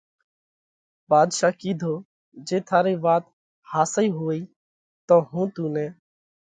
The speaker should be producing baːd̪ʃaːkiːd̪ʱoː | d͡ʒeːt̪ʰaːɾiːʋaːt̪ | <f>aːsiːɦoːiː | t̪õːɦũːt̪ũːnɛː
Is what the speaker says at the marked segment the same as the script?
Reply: no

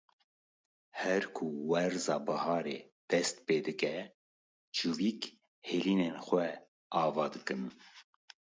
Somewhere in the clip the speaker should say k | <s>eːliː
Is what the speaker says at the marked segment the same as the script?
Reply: no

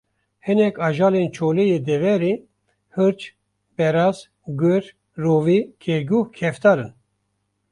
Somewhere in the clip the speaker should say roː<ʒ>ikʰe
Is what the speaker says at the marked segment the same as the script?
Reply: no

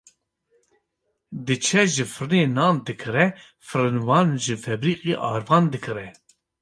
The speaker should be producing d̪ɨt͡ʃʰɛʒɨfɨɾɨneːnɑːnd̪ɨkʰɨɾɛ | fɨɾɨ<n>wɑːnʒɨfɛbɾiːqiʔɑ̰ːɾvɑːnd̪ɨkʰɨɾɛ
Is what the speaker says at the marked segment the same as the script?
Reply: yes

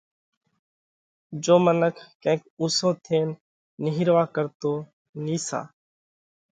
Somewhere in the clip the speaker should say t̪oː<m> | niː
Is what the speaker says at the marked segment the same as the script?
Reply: no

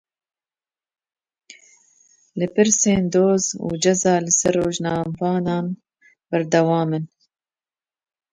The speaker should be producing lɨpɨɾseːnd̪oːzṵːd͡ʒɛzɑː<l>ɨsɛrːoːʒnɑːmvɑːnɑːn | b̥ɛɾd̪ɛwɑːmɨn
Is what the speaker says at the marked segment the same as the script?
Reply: yes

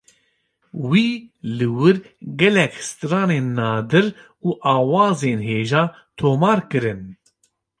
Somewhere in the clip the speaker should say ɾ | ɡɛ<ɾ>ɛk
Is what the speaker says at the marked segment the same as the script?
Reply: no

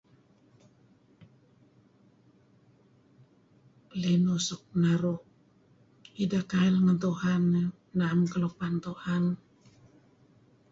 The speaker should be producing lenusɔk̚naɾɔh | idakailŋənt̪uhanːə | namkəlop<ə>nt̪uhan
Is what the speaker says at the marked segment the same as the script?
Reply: no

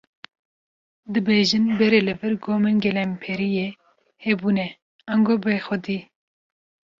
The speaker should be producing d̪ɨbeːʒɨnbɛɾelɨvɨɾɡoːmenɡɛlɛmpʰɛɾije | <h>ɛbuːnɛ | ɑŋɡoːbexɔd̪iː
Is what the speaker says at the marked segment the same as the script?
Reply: yes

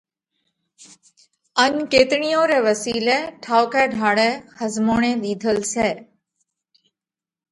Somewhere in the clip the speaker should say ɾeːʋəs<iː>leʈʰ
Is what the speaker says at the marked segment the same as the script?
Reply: yes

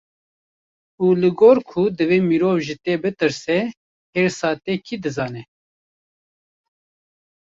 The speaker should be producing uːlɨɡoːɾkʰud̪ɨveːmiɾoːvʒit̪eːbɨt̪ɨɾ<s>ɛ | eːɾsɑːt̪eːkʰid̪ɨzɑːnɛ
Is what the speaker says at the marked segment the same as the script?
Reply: yes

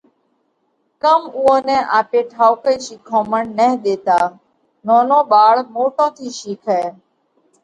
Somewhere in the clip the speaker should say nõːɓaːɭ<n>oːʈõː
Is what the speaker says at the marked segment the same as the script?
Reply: no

